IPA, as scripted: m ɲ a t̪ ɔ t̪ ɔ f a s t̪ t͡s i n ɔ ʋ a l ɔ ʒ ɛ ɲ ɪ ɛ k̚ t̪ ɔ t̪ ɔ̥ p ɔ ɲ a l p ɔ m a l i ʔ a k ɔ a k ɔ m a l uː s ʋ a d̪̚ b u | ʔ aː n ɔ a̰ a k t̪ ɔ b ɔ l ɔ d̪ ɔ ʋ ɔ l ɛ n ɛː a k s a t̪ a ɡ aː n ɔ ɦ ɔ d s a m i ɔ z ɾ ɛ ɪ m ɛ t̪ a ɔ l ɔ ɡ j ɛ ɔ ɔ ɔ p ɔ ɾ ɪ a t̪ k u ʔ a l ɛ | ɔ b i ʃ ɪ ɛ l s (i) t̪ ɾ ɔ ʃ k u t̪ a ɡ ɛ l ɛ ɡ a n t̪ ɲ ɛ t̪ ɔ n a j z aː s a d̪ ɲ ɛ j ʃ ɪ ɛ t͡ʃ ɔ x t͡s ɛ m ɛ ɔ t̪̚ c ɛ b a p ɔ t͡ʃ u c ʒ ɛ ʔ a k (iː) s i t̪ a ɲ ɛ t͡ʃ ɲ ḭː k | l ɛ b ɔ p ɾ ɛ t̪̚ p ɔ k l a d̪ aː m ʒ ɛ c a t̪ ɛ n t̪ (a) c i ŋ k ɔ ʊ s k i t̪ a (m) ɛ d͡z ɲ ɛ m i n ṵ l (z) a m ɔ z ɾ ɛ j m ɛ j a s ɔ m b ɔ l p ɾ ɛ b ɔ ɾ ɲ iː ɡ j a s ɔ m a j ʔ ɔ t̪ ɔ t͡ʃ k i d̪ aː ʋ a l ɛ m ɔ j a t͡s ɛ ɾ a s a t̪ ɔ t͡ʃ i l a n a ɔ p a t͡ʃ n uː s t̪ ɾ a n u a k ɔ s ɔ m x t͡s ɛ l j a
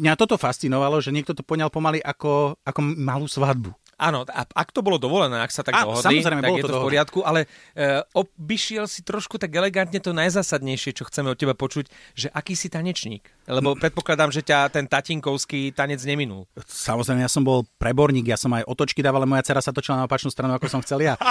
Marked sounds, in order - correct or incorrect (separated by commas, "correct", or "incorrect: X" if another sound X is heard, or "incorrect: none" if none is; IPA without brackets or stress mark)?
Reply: correct, correct, correct, incorrect: ɲ, incorrect: s